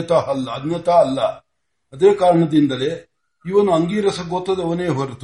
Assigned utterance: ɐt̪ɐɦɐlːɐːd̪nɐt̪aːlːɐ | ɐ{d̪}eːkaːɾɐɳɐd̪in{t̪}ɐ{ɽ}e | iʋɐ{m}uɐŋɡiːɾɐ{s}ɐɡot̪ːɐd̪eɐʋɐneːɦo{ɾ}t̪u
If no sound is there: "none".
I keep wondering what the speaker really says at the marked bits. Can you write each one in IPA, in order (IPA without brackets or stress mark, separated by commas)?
d̪, d̪, l, n, s, ɾ